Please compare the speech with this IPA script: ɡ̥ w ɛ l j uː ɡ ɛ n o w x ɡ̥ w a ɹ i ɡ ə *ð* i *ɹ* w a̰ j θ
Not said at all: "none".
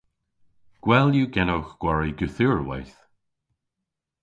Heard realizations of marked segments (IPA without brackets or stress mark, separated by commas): θ, ɹ